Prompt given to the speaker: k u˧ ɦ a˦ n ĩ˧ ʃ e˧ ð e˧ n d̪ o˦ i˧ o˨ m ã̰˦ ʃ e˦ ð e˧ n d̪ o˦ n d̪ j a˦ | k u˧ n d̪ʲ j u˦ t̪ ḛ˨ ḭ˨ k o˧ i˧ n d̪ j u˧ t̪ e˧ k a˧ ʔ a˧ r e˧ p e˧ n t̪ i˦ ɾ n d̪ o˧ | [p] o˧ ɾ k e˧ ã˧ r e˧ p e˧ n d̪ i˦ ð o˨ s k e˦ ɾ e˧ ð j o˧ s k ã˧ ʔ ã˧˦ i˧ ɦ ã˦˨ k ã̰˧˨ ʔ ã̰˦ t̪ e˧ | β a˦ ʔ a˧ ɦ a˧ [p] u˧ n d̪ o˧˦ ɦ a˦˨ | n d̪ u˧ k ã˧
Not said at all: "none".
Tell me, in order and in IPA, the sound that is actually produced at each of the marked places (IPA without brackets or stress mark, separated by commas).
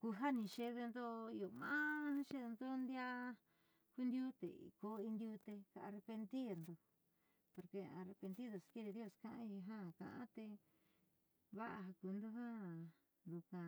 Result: p, k